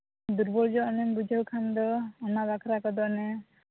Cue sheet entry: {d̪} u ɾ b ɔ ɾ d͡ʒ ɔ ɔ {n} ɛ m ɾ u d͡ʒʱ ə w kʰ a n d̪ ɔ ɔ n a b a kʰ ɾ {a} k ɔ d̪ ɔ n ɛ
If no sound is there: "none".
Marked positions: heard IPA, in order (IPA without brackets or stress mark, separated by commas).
d̪, n, a